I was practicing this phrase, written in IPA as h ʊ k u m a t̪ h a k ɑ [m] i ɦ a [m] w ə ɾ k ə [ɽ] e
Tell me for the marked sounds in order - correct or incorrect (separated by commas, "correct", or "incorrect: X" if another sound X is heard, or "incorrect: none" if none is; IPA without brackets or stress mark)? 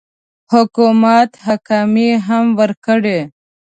correct, correct, correct